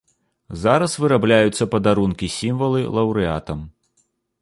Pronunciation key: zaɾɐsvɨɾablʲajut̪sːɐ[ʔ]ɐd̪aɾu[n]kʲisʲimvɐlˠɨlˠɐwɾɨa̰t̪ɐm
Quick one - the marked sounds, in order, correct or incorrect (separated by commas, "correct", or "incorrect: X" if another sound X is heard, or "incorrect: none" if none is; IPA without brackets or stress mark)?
incorrect: p, correct